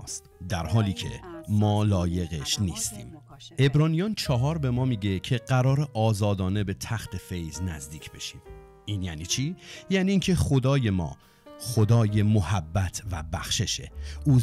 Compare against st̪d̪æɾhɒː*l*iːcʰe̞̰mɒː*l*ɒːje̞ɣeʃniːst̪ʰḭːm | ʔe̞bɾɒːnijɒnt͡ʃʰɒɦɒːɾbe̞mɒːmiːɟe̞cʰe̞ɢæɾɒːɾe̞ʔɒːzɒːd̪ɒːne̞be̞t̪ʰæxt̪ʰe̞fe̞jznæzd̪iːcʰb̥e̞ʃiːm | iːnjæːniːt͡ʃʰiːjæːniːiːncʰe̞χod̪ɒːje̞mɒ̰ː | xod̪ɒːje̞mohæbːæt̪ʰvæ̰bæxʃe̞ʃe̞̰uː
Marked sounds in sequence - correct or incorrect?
correct, correct

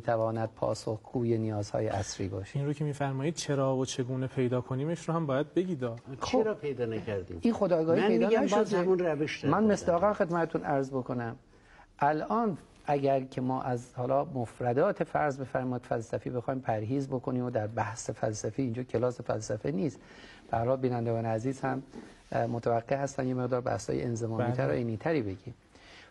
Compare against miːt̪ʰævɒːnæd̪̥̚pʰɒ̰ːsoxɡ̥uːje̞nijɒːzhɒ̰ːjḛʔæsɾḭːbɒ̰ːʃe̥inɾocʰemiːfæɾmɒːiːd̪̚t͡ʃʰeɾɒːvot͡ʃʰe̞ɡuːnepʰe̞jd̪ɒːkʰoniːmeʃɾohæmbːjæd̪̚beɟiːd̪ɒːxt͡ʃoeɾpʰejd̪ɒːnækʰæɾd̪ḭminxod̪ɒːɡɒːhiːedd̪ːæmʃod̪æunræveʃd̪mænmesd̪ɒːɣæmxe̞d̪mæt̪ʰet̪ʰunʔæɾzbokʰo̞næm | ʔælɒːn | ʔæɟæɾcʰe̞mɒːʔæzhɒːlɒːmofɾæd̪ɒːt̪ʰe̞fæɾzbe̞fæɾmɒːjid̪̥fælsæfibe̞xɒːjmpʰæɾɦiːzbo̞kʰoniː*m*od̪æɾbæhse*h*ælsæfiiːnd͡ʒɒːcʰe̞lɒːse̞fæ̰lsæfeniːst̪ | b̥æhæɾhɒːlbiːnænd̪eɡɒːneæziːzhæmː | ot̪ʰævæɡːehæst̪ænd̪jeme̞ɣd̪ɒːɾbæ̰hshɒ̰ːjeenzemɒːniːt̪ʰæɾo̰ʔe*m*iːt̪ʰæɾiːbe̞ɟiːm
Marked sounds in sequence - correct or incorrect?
correct, incorrect, incorrect

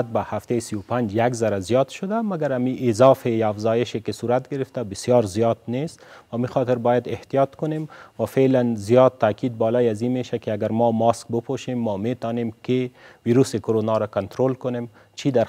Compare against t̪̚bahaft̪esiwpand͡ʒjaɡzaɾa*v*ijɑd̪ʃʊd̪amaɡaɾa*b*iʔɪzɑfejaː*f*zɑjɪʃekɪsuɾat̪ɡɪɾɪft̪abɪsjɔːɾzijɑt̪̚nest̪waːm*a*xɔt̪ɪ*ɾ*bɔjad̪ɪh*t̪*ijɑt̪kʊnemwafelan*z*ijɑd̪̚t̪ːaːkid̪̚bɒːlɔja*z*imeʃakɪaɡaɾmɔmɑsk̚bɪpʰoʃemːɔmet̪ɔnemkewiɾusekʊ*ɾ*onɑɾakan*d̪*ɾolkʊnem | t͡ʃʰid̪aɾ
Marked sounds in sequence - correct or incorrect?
incorrect, incorrect, correct, incorrect, correct, correct, correct, correct, correct, incorrect

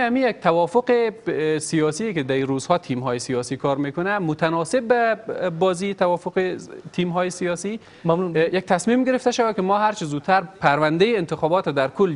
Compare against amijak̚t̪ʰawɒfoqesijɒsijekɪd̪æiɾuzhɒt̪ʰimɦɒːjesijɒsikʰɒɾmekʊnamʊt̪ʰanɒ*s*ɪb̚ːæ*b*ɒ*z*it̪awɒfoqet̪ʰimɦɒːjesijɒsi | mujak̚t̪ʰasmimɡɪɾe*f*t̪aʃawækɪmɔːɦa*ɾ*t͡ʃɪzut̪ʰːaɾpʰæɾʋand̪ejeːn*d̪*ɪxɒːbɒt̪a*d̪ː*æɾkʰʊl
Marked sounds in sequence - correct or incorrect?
correct, correct, correct, correct, correct, incorrect, incorrect

